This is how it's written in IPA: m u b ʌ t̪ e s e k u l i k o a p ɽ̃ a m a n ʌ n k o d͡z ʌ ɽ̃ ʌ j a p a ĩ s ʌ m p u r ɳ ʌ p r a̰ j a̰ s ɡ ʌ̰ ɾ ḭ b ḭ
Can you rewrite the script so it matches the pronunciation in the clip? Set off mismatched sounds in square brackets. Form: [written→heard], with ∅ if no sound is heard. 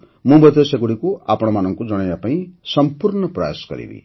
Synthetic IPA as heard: m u b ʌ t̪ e s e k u [l→ɽ] i k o a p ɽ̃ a m a n ʌ [n→ŋ] k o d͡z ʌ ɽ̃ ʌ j a p a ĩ s ʌ m p u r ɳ ʌ p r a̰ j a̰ s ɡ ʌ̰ ɾ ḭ b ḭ